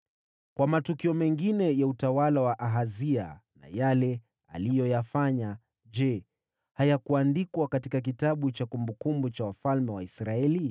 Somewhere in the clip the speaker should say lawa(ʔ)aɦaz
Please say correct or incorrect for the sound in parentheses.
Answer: correct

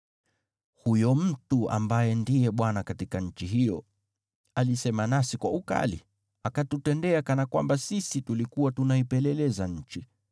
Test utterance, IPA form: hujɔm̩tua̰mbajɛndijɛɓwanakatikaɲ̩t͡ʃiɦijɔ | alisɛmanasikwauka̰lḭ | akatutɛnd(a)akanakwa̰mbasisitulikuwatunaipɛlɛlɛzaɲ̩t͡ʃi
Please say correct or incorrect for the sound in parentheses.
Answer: incorrect: ɛ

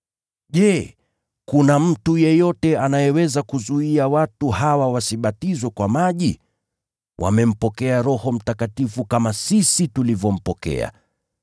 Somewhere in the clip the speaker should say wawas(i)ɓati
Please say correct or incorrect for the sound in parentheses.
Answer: correct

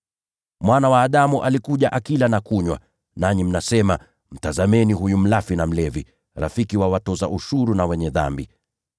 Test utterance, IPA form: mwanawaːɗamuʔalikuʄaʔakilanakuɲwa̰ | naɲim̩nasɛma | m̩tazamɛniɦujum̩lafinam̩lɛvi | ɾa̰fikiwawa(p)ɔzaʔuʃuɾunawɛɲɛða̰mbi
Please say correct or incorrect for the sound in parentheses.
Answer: incorrect: t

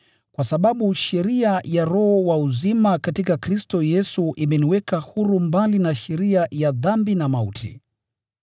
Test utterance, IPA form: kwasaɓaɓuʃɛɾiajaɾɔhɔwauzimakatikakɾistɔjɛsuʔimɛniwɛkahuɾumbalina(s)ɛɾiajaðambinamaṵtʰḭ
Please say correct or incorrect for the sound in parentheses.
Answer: incorrect: ʃ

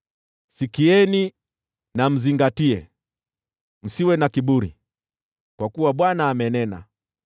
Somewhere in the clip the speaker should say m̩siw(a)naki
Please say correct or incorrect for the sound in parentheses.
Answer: incorrect: ɛ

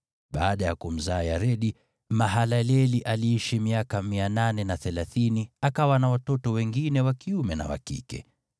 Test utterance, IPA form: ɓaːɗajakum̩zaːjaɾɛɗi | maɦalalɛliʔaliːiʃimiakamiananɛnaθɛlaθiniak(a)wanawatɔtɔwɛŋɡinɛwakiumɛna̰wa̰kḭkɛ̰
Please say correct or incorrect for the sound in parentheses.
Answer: correct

